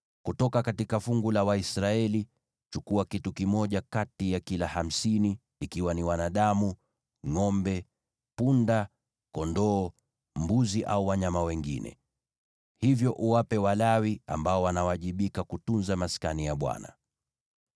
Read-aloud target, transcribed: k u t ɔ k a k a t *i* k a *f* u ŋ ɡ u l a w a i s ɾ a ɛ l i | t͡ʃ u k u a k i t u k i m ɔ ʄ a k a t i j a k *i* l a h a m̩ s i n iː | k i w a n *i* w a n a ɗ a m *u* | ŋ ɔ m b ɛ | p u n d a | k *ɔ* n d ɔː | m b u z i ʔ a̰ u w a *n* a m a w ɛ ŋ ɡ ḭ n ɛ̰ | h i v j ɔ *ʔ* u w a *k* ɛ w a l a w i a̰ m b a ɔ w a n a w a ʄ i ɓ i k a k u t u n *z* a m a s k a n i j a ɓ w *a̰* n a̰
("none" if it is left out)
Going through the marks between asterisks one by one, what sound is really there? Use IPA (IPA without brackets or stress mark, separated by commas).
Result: i, f, i, i, u, ɔ, ɲ, ʔ, p, z, a̰